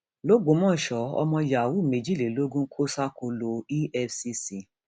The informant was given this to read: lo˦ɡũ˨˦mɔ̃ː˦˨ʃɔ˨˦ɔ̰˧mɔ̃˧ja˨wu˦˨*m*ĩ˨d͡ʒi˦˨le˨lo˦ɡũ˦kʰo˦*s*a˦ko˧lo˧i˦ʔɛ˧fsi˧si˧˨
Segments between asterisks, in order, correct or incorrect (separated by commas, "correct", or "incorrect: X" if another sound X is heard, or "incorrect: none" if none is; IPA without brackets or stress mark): correct, correct